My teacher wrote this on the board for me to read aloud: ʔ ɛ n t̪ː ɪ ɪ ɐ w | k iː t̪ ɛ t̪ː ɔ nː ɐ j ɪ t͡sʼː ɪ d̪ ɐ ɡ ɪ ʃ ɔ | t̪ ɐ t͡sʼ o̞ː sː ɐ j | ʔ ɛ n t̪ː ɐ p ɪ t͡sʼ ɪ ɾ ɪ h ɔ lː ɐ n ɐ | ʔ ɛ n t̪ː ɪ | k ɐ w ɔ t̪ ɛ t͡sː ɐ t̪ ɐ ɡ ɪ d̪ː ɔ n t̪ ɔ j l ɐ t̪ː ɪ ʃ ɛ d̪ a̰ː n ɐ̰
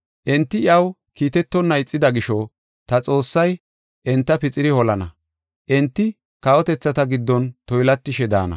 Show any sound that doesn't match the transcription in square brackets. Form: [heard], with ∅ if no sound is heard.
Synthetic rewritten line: ʔ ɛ n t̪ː ɪ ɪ ɐ w | k iː t̪ ɛ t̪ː ɔ nː ɐ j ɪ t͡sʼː ɪ d̪ ɐ ɡ ɪ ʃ ɔ | t̪ ɐ t͡sʼ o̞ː sː ɐ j | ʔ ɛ n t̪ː ɐ p ɪ t͡sʼ ɪ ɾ ɪ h ɔ [l] ɐ n ɐ | ʔ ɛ n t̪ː ɪ | k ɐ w ɔ t̪ ɛ t͡sː ɐ t̪ ɐ ɡ ɪ d̪ː ɔ n t̪ ɔ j l ɐ t̪ː ɪ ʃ ɛ d̪ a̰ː n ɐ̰